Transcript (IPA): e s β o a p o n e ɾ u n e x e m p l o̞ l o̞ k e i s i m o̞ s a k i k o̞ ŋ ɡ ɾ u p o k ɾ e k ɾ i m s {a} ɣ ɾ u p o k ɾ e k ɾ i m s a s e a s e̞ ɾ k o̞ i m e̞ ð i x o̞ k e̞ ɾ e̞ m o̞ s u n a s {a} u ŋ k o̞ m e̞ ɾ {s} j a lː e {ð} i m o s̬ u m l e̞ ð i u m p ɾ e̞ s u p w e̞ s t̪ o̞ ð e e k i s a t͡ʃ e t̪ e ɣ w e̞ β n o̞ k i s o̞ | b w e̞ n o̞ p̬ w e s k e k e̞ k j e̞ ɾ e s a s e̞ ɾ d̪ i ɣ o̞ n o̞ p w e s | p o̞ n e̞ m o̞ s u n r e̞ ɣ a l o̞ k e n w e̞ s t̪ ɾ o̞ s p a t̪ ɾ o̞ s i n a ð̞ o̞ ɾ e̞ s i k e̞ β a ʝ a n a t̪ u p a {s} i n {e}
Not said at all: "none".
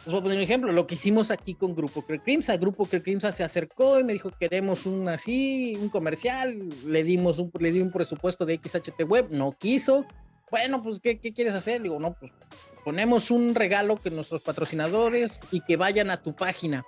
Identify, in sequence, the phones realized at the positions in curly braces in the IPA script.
a, i, s, ð, x, a

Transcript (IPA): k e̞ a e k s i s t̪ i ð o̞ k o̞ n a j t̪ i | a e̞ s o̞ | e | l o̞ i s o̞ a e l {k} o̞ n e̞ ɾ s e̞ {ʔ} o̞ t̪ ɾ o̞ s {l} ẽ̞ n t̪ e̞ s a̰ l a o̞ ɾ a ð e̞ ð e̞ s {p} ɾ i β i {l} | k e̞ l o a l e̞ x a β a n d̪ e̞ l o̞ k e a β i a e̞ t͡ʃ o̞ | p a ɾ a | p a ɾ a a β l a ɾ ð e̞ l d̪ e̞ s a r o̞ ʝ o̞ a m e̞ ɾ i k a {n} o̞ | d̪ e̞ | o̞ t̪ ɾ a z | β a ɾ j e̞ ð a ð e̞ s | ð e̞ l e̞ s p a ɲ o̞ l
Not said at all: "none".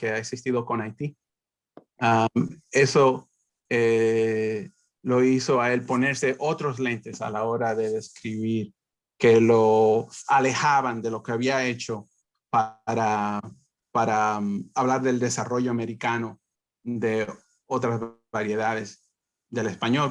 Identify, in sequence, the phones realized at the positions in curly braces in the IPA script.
p, ʔ, l, k, ɾ, n

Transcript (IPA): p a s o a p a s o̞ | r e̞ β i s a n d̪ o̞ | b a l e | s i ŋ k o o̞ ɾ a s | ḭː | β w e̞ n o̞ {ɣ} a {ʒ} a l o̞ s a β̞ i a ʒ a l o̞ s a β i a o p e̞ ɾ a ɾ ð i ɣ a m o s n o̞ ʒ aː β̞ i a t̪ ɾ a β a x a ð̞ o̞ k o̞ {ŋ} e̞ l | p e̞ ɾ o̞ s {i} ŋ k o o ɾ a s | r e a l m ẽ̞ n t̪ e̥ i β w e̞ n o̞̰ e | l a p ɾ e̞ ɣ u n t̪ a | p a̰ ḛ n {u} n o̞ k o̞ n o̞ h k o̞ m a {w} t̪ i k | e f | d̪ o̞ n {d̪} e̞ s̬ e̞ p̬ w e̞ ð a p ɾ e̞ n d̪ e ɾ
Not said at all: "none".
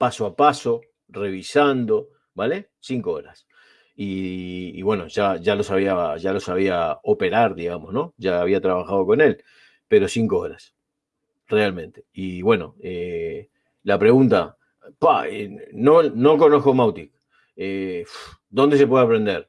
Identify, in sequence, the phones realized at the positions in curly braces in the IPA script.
ʒ, ʒ, n, i, o, w, d̪

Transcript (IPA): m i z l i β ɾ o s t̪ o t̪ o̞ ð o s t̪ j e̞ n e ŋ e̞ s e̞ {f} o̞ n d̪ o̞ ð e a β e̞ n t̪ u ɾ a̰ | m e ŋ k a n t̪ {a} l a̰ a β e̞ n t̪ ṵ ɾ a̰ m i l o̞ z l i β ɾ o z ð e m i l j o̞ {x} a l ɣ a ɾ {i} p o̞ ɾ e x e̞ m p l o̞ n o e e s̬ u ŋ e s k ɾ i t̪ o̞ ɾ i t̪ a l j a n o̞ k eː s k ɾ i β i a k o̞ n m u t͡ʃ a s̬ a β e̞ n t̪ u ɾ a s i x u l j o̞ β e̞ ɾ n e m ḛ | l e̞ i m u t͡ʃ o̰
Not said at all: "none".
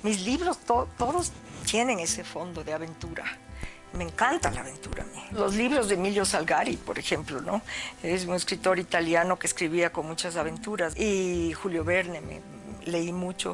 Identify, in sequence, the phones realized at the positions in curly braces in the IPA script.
f, a, s, i

